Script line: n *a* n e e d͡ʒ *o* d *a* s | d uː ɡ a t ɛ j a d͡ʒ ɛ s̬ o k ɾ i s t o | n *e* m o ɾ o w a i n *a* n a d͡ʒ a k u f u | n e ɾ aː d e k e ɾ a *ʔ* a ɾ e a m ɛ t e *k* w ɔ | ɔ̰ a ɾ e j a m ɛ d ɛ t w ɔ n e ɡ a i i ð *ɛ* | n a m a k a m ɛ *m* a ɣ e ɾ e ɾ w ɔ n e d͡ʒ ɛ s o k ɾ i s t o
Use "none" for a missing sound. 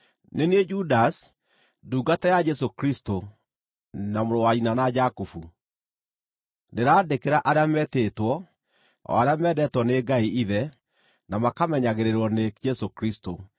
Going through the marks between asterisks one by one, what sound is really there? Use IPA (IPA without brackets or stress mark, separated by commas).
e, u, a, a, a, ʔ, t, ɛ, ɲ